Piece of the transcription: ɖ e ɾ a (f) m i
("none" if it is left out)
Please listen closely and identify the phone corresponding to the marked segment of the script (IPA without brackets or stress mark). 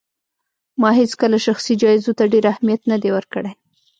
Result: h